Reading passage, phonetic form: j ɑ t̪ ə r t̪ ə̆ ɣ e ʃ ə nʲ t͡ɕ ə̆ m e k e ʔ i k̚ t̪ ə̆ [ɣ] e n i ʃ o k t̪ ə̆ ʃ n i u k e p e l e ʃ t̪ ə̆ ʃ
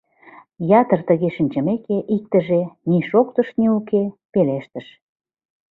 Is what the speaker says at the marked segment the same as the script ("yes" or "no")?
no